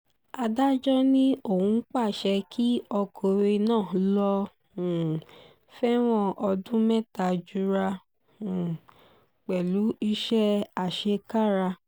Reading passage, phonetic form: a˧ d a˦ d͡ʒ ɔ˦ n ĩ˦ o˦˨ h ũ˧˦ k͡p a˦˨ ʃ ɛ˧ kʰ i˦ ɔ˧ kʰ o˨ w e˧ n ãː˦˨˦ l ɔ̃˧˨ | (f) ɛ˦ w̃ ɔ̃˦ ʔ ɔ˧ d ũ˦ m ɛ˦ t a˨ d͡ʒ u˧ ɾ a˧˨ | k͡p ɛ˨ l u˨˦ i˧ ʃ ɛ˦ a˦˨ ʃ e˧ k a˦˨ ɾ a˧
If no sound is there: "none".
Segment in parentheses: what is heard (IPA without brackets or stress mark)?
f